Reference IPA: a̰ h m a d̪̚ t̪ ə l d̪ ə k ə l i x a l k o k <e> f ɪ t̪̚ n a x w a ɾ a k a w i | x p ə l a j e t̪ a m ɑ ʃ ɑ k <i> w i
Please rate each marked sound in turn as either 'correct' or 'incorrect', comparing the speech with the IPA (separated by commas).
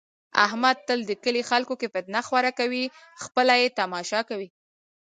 correct, incorrect